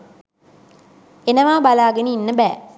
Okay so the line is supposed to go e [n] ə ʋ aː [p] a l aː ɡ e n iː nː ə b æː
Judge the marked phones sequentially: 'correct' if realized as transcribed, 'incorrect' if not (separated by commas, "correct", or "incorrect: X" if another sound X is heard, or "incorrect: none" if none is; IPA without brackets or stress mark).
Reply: correct, incorrect: b